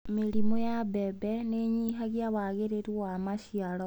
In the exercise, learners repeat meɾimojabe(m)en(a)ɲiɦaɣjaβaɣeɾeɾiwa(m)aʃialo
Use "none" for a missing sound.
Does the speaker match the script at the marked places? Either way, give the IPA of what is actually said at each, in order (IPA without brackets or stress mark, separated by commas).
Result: b, e, m